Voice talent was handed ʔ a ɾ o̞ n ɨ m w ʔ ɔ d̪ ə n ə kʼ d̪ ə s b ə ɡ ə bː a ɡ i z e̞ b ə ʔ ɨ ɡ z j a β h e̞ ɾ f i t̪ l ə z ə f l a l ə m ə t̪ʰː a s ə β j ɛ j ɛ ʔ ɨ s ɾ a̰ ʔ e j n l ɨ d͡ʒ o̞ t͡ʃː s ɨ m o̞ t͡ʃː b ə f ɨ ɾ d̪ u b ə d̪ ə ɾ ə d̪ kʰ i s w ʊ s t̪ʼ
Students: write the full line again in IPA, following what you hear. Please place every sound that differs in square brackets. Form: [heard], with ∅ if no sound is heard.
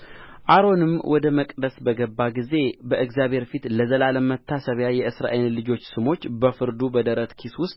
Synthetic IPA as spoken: ʔ a ɾ o̞ n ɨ m w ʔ ɔ d̪ ə [m] ə kʼ d̪ ə s b ə ɡ ə bː a ɡ i z e̞ b ə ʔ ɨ ɡ z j a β h e̞ ɾ f i t̪ l ə z ə [∅] l a l ə m ə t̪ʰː a s ə β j [a] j ɛ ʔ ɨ s ɾ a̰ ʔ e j n l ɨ d͡ʒ o̞ t͡ʃː s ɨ m o̞ t͡ʃː b ə f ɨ ɾ d̪ u b ə d̪ ə ɾ ə [t̪] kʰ i s w ʊ s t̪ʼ